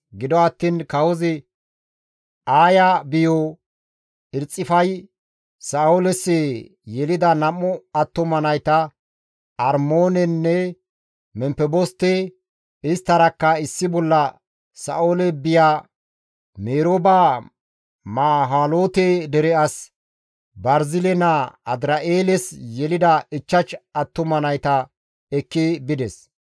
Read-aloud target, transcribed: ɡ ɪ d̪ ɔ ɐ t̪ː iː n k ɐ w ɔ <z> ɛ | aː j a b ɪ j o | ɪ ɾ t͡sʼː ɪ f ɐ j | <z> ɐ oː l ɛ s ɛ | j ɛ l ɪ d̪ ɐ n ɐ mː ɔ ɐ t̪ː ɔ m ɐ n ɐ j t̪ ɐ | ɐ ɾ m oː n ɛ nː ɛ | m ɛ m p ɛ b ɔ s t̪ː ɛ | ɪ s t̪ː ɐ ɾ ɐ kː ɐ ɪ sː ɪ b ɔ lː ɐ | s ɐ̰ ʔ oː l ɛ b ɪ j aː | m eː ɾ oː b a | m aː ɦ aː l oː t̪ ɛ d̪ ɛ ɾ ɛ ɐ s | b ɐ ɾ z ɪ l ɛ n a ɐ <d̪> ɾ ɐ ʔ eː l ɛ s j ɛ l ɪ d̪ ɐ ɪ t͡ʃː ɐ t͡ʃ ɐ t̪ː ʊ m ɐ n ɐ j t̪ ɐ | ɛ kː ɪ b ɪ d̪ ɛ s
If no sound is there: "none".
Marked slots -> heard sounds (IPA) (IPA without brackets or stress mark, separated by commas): z, s, d̪